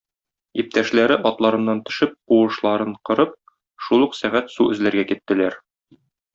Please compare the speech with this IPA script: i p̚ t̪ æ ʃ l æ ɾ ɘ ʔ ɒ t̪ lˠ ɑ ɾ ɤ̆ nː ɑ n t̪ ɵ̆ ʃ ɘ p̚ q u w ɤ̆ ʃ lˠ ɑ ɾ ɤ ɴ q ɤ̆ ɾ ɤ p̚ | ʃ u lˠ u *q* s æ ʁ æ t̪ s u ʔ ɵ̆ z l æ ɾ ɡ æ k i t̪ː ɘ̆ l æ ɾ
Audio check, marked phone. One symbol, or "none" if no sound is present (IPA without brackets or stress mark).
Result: q